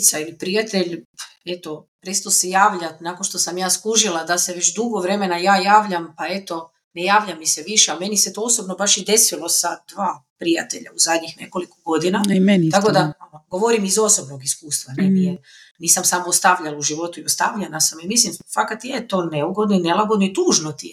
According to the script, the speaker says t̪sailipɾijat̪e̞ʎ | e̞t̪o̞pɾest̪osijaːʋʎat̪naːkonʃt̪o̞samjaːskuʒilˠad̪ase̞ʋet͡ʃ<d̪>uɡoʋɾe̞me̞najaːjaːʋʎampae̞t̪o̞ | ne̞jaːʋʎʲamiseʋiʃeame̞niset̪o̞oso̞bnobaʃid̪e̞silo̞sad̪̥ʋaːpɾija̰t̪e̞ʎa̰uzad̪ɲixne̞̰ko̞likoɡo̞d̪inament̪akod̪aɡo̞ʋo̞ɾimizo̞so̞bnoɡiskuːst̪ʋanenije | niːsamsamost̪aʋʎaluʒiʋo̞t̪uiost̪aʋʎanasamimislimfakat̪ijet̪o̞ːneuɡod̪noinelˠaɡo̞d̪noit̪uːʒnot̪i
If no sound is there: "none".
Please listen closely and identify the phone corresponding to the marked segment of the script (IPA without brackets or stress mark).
d̪